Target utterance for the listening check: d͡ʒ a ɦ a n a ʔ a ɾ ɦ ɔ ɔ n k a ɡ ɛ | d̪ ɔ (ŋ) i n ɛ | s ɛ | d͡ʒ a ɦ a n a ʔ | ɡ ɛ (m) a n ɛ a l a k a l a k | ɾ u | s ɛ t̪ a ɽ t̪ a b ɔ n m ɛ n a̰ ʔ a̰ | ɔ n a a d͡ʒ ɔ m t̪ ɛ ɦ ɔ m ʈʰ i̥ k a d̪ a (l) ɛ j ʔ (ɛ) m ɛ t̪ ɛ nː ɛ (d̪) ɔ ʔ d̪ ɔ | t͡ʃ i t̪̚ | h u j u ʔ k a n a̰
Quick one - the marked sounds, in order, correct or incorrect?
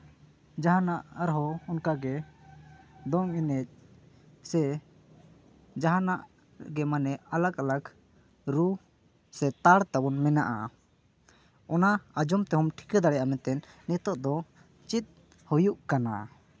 correct, correct, incorrect, incorrect, incorrect

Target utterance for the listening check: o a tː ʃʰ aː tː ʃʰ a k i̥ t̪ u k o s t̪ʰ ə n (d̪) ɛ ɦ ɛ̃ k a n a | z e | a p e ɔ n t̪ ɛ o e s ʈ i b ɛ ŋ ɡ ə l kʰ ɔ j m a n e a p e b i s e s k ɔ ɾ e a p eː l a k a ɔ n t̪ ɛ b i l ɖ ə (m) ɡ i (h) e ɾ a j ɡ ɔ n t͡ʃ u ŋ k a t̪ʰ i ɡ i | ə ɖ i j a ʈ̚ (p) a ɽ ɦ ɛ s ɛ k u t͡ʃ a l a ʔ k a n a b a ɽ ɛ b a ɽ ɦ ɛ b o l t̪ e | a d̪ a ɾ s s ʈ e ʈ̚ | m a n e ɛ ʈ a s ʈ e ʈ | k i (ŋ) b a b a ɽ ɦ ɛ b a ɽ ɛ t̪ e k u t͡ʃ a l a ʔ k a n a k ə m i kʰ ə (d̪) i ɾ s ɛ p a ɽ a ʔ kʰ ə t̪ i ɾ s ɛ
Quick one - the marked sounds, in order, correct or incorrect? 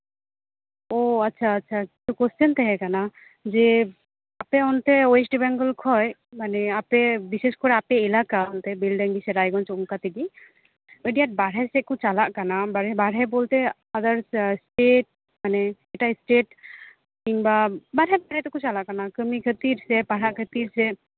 incorrect, incorrect, incorrect, incorrect, correct, incorrect

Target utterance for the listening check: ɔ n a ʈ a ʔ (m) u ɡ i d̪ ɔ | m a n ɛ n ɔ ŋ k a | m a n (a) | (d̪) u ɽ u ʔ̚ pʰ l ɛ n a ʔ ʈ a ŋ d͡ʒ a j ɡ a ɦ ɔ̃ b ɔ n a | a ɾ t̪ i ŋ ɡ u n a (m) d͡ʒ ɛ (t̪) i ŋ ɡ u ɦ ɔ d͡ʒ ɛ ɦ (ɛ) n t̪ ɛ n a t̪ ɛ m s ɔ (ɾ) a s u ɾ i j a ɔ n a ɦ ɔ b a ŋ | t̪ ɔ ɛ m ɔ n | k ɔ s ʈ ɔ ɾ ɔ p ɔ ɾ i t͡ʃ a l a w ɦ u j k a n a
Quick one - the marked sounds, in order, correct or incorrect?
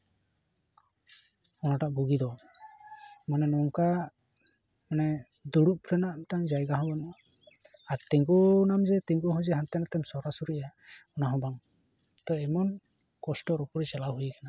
incorrect, incorrect, correct, correct, correct, incorrect, correct

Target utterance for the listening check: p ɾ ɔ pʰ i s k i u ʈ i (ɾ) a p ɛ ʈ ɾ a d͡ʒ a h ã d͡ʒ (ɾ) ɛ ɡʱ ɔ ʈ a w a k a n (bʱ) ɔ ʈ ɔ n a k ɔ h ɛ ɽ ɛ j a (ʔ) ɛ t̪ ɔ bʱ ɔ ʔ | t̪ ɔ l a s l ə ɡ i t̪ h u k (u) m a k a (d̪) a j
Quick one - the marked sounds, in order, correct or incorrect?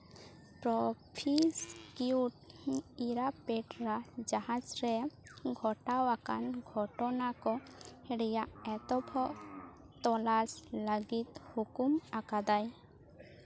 correct, correct, incorrect, correct, correct, correct

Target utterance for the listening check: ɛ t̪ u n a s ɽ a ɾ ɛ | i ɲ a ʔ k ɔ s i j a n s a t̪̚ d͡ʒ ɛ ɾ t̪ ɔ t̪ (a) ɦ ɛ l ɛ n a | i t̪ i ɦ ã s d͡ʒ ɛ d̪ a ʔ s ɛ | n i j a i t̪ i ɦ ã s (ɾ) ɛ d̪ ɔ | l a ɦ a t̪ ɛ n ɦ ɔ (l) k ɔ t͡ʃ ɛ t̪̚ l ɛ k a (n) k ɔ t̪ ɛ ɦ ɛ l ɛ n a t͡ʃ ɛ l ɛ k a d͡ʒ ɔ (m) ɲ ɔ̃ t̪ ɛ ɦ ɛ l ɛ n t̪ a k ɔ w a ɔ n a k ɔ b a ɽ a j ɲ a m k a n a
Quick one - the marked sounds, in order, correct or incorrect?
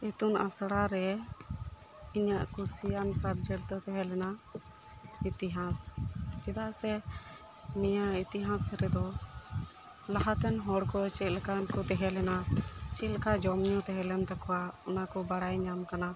incorrect, correct, incorrect, correct, correct

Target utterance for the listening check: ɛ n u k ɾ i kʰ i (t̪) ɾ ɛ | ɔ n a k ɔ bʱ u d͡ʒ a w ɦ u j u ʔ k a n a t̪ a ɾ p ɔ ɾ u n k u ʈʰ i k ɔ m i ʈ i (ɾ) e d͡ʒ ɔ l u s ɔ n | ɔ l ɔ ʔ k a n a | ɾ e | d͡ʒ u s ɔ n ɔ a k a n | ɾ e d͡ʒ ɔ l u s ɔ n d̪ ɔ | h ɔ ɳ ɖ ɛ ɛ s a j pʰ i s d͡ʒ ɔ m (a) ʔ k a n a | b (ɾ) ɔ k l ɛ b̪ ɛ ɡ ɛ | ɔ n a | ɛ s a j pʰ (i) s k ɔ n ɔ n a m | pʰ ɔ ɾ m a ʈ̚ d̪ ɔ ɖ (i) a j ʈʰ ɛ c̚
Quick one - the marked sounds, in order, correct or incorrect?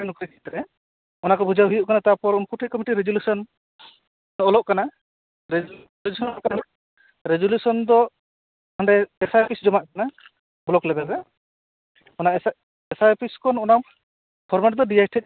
correct, correct, correct, incorrect, correct, correct

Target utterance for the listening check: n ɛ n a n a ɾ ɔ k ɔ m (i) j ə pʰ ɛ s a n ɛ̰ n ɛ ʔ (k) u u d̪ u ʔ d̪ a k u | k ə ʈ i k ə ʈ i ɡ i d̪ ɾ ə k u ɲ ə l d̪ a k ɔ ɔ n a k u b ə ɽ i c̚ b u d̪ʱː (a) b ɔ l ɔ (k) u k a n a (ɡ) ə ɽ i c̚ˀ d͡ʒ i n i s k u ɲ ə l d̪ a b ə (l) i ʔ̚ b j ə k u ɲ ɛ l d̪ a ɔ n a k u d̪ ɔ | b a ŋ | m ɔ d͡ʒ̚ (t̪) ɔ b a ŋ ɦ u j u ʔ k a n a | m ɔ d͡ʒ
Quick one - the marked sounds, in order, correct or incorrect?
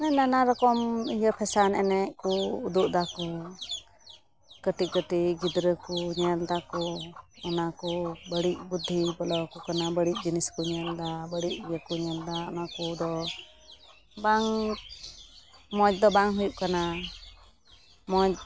correct, correct, incorrect, correct, incorrect, incorrect, incorrect

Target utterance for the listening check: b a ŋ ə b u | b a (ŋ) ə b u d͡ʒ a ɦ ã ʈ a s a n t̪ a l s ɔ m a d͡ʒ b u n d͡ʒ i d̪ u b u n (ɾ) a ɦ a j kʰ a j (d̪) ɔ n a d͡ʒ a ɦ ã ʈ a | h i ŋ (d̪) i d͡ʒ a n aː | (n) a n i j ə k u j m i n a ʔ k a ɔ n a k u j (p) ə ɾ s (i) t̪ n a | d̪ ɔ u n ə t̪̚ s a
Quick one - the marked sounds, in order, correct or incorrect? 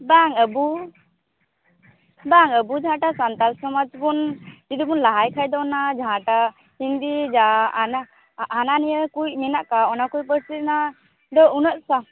correct, incorrect, correct, correct, correct, correct, correct

